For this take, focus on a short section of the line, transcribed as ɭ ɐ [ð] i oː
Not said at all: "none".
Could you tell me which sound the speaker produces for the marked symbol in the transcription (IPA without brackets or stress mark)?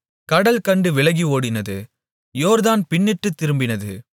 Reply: ɣ